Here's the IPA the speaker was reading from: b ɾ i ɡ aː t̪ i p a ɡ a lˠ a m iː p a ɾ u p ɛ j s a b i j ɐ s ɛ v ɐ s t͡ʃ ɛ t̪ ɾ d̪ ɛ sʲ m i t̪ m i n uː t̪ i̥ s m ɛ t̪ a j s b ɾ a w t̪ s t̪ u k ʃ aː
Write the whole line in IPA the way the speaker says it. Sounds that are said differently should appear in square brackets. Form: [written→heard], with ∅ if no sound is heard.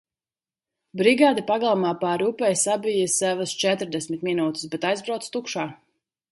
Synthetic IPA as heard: b ɾ i ɡ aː [t̪→d̪] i p a ɡ a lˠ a m [iː→aː] p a ɾ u p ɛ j s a b i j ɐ s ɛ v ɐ s t͡ʃ ɛ t̪ ɾ d̪ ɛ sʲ m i t̪ m i n uː t̪ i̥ s [m→b] ɛ t̪ a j [s→z] b ɾ a w t̪ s t̪ u k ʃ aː

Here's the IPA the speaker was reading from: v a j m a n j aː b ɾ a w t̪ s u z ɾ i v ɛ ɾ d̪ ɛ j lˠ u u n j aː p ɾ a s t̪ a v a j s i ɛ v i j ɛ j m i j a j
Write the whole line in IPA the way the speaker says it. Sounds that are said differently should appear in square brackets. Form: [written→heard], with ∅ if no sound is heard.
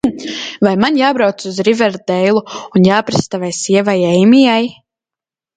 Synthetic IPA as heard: v a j m a n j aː b ɾ a w t̪ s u z ɾ i v ɛ ɾ d̪ ɛ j lˠ u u n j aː p ɾ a s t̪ a v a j s i ɛ v [i→a] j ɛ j m i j a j

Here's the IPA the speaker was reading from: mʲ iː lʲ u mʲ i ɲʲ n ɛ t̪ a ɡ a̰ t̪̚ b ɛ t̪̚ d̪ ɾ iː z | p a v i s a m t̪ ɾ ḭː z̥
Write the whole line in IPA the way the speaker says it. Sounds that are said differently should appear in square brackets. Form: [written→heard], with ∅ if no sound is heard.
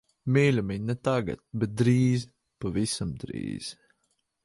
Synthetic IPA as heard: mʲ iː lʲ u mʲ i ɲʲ n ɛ t̪ a ɡ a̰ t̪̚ b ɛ t̪̚ d̪ ɾ iː z | p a v i s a m [t̪→d̪] ɾ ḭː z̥

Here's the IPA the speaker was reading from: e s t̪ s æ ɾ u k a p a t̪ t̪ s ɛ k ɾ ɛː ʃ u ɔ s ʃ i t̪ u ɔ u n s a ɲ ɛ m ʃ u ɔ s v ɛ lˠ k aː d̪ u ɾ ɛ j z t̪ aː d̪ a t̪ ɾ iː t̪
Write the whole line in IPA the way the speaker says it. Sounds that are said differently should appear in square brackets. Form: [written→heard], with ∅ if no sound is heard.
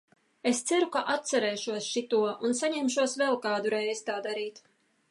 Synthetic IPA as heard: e s t̪ s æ ɾ u k a [p→ʔ] a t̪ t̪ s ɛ [k→∅] ɾ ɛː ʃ u ɔ s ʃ i t̪ u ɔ u n s a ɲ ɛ m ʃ u ɔ s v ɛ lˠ k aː d̪ u ɾ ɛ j z t̪ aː d̪ a [t̪→∅] ɾ iː t̪

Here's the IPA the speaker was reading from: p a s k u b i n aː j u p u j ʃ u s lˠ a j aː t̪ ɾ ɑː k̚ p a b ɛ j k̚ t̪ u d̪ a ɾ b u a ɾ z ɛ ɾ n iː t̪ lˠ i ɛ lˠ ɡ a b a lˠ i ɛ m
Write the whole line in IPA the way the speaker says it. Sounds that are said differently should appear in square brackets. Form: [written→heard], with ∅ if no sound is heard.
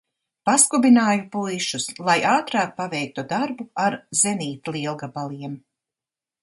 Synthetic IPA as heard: p a s k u b i n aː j u p u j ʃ u s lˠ a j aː t̪ ɾ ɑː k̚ p a [b→v] ɛ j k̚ t̪ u d̪ a ɾ b u a ɾ z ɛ [ɾ→∅] n iː t̪ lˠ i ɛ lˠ ɡ a b a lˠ i ɛ m

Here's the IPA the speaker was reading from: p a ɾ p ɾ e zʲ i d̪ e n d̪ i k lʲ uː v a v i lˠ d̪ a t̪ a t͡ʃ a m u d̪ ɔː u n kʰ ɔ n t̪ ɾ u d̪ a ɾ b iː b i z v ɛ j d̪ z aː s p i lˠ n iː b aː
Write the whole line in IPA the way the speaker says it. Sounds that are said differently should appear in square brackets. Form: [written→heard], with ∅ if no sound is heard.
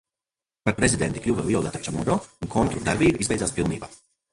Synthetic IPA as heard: p a ɾ p ɾ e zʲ i d̪ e n [d̪→t̪] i k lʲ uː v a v i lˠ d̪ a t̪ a t͡ʃ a m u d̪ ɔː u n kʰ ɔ n t̪ ɾ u d̪ a ɾ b iː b i z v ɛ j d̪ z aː s p i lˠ n iː b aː

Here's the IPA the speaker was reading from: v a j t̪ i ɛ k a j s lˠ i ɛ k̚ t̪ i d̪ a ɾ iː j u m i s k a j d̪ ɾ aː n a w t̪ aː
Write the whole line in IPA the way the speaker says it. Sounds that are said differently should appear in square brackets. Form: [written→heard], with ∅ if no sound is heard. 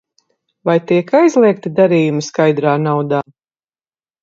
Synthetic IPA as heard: v a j t̪ i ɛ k a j [s→z] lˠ i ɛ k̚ t̪ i d̪ a ɾ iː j u m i s k a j d̪ ɾ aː n a w [t̪→d̪] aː

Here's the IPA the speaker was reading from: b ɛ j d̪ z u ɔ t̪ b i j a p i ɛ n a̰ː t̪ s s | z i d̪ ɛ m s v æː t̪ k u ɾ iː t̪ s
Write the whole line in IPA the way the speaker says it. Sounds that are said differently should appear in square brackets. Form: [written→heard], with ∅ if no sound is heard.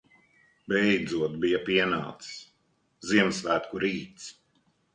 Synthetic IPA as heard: b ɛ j d̪ z u ɔ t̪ b i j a p i ɛ n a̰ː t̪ s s | z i [d̪→∅] ɛ m s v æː t̪ k u ɾ iː t̪ s

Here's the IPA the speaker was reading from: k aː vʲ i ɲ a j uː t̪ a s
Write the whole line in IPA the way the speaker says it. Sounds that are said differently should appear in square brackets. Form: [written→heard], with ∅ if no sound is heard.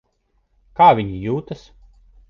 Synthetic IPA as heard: k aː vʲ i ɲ [a→i] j uː t̪ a s

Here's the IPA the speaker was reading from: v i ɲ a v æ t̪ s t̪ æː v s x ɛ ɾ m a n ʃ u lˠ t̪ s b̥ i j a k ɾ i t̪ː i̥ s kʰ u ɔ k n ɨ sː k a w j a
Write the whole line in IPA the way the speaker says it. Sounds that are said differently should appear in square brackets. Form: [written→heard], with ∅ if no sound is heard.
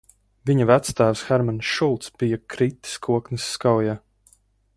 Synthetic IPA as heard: v i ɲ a v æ t̪ s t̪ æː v s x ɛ ɾ m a n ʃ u lˠ t̪ s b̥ i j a k ɾ i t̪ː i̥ s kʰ u ɔ k n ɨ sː k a w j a

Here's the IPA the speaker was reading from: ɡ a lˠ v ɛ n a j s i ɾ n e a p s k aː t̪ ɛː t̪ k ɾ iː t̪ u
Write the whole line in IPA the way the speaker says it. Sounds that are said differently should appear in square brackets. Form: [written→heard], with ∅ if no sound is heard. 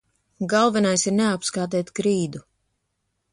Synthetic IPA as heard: ɡ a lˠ v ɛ n a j s i ɾ n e a p s k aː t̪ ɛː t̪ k ɾ iː [t̪→d̪] u

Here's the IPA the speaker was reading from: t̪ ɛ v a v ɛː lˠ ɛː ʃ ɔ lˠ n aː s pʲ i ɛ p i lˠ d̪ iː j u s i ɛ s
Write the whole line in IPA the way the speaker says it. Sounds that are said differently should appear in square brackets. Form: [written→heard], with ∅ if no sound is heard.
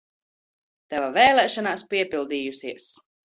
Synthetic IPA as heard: t̪ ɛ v a v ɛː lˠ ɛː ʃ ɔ [lˠ→∅] n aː s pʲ i ɛ p i lˠ d̪ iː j u s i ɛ s

